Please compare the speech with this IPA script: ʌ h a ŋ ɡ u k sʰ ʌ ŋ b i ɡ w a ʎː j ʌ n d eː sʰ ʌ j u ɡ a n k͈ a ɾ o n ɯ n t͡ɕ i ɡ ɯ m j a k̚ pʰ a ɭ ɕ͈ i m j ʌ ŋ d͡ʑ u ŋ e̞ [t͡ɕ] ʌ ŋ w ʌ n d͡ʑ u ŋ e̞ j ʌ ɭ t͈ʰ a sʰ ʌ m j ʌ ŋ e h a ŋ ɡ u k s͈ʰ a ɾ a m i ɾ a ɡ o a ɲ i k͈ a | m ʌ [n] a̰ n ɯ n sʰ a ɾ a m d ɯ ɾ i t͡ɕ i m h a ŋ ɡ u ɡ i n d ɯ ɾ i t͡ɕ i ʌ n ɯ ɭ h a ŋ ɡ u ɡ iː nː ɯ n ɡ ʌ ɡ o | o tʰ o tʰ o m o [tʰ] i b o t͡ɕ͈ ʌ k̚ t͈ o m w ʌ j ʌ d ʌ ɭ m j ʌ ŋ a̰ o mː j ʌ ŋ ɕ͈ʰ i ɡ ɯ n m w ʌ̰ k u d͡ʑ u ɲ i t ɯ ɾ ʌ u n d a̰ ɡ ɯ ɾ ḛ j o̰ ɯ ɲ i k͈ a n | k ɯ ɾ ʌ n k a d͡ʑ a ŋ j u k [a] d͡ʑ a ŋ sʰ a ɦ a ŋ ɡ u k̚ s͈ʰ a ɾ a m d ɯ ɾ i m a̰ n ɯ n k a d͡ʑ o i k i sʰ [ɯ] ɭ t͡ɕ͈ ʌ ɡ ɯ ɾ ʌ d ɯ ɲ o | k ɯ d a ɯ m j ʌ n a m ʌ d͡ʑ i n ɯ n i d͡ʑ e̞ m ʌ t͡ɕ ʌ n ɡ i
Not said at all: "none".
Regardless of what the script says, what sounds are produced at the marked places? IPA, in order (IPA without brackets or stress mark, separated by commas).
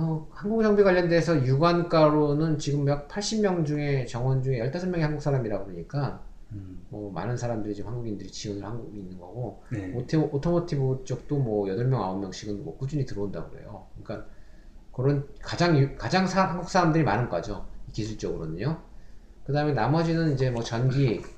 t͡ɕ, m, tʰ, a, u